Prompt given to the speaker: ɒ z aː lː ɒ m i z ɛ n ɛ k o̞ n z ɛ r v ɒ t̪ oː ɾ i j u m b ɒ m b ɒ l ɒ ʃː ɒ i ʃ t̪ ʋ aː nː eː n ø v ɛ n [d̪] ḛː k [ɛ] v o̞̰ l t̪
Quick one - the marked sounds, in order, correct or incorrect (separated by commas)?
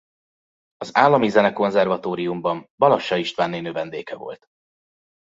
correct, correct